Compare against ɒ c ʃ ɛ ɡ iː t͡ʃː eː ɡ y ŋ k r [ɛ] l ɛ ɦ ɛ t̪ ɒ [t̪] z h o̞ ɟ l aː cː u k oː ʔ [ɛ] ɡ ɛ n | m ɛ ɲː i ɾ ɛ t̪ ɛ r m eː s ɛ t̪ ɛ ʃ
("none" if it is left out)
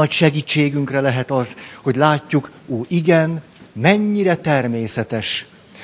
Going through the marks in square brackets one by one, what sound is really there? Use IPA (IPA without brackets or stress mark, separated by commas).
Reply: ɛ, none, i